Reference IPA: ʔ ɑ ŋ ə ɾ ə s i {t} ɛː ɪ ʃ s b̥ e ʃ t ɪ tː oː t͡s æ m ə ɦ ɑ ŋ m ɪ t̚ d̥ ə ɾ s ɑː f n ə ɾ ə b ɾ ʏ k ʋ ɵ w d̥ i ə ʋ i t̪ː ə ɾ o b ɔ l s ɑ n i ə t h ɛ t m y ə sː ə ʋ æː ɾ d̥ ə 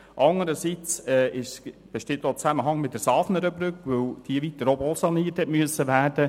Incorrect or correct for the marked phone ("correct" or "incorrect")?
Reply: incorrect